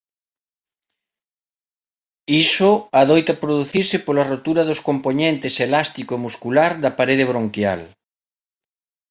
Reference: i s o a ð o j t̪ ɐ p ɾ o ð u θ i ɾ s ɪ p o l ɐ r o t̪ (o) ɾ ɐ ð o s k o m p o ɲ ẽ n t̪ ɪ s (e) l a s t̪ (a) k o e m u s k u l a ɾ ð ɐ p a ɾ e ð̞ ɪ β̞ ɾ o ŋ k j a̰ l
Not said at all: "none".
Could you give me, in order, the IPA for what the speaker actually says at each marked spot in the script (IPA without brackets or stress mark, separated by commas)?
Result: u, e, i